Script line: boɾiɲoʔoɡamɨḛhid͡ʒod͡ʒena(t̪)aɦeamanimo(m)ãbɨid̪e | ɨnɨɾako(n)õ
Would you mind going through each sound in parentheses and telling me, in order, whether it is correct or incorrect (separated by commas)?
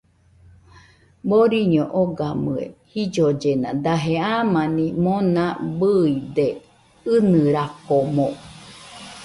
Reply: incorrect, incorrect, incorrect